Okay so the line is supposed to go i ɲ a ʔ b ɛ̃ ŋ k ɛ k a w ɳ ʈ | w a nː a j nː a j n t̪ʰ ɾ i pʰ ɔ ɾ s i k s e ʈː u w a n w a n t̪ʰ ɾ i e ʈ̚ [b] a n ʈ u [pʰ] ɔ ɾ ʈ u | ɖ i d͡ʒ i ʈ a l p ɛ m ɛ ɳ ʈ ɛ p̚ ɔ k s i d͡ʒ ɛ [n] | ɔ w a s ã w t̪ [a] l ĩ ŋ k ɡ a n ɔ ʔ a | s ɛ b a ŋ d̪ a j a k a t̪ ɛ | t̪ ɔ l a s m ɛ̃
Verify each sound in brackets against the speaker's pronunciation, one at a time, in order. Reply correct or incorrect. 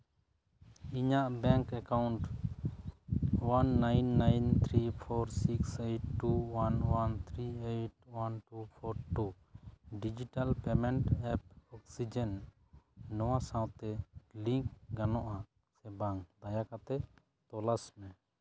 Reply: incorrect, correct, incorrect, incorrect

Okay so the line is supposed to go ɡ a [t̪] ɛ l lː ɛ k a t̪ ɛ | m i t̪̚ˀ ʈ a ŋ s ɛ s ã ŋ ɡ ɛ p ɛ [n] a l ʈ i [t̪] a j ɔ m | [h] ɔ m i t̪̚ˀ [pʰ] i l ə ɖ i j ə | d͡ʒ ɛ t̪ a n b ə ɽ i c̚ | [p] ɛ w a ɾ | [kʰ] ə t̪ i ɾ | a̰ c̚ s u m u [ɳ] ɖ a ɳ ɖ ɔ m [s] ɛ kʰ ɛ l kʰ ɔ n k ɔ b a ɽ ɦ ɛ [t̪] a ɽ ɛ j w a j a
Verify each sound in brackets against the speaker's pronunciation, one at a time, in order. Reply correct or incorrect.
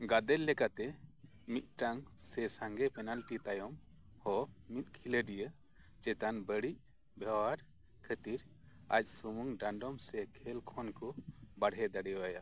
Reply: incorrect, correct, correct, correct, incorrect, incorrect, correct, incorrect, correct, incorrect

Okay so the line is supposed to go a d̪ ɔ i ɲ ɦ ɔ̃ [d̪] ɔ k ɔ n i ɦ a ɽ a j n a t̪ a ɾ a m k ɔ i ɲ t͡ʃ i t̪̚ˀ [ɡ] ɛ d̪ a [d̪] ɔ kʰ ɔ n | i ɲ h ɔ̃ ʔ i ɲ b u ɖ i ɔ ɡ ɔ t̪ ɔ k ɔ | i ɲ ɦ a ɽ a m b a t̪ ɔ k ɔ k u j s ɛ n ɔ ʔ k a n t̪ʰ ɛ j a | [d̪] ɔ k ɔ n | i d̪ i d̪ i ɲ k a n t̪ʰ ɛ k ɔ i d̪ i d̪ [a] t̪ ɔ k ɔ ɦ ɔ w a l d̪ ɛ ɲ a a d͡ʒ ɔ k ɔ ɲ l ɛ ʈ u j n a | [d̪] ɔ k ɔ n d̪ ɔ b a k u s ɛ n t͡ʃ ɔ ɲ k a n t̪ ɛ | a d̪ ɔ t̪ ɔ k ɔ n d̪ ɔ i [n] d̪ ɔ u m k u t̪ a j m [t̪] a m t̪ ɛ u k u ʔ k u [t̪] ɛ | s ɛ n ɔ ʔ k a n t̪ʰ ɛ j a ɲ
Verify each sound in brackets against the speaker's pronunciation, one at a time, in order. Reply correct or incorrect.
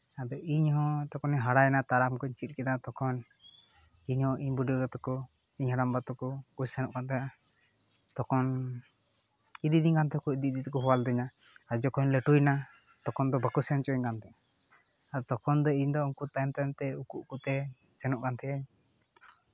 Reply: incorrect, incorrect, incorrect, incorrect, incorrect, incorrect, incorrect, correct, correct

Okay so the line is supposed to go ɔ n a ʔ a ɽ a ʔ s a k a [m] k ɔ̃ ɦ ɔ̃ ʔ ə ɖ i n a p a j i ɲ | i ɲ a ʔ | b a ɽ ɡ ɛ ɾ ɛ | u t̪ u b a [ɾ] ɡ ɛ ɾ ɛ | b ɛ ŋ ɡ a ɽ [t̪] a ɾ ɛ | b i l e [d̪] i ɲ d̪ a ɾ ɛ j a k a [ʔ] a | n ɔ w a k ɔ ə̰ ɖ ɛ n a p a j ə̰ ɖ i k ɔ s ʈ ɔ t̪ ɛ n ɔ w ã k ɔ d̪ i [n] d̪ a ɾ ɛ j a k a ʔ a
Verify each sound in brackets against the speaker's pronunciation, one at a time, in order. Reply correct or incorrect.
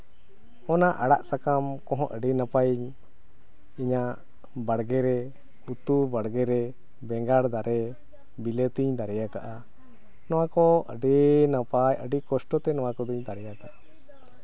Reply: correct, incorrect, incorrect, incorrect, correct, incorrect

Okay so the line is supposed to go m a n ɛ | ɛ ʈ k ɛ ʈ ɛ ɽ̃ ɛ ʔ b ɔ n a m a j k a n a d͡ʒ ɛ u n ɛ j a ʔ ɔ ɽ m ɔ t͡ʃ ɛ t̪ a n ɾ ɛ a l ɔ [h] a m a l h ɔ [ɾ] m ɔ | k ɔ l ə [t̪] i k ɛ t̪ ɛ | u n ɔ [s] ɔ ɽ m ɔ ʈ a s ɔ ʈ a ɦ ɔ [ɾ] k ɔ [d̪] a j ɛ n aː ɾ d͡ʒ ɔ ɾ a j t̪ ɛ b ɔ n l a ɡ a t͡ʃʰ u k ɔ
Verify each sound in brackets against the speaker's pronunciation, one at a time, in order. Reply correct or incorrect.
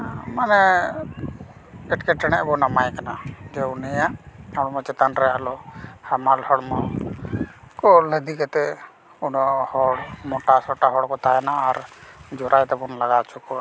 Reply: correct, incorrect, incorrect, incorrect, incorrect, incorrect

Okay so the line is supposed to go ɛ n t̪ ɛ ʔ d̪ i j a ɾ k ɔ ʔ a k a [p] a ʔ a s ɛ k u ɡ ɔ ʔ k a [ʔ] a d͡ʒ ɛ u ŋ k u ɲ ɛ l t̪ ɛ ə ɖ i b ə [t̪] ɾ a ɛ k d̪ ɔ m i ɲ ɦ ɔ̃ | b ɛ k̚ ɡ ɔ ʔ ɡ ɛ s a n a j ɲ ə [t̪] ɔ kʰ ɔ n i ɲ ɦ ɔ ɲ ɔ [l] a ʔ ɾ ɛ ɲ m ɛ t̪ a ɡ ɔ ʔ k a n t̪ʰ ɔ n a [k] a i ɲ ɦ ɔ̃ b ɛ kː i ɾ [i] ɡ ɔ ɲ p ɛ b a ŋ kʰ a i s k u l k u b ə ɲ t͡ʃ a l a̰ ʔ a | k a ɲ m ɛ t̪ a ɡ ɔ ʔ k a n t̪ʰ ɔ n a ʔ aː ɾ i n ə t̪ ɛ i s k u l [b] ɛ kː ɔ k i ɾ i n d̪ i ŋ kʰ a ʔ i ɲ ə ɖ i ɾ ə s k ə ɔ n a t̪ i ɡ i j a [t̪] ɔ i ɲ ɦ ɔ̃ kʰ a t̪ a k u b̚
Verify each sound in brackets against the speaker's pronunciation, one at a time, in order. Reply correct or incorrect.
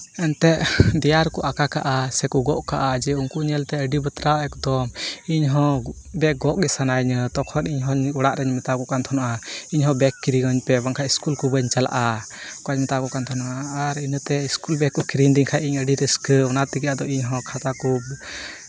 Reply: incorrect, correct, correct, correct, incorrect, incorrect, correct, correct, incorrect

